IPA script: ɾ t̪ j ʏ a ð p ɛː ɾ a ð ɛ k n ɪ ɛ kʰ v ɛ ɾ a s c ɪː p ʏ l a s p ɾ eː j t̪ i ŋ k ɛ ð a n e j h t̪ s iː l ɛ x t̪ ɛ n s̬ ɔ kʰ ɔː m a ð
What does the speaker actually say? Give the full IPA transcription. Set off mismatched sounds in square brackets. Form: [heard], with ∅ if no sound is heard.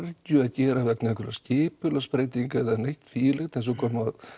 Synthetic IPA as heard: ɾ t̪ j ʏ a ð [c] ɛː ɾ a [v] ɛ k n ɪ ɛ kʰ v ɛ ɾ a s c ɪː p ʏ l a s p ɾ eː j t̪ i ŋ k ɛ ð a n e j h t̪ [f] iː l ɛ x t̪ ɛ n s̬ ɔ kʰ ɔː m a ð